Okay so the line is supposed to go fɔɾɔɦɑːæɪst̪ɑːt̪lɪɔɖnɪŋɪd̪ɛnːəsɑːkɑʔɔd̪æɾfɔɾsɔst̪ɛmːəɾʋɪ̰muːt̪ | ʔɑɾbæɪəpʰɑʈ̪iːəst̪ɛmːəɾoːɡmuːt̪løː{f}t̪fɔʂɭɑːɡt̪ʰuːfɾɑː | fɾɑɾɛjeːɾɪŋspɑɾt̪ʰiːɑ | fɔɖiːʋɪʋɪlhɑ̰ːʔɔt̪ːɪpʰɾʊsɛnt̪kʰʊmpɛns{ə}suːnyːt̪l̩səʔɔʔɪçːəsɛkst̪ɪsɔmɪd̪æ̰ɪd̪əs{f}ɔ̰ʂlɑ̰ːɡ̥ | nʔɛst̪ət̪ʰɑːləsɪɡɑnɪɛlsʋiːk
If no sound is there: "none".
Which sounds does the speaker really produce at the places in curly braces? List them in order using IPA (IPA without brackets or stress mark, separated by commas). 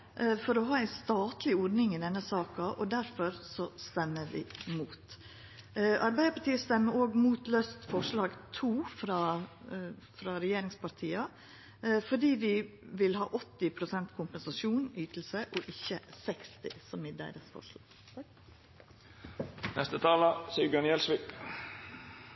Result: s, ɑ, f